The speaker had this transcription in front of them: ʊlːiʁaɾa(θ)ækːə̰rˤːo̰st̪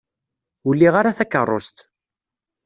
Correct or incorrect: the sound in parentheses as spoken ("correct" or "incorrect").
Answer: correct